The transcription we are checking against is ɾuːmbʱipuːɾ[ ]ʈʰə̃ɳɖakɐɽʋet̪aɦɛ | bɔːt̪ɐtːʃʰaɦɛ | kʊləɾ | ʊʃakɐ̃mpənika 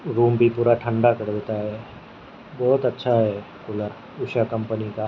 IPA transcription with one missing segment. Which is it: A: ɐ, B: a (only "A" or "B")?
B